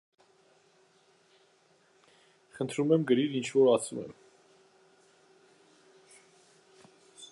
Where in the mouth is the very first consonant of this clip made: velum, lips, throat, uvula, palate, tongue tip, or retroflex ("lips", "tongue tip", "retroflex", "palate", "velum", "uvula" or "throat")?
uvula